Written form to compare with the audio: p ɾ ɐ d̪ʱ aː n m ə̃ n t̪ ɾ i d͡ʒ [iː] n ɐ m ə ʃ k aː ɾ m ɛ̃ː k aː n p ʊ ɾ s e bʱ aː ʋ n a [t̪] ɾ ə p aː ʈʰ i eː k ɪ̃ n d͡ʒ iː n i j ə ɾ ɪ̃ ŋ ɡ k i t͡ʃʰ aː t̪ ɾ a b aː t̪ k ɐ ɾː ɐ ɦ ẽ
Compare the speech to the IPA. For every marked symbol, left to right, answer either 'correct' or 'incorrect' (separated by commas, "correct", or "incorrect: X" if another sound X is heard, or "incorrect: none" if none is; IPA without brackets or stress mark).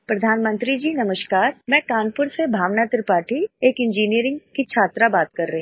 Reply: correct, correct